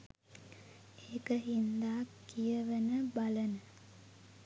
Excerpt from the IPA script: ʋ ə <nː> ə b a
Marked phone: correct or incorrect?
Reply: incorrect